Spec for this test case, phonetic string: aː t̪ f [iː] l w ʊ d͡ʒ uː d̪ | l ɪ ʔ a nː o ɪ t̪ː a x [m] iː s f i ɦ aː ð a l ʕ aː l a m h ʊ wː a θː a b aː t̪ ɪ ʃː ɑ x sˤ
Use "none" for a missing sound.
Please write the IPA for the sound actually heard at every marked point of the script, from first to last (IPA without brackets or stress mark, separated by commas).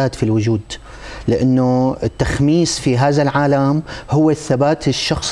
i, m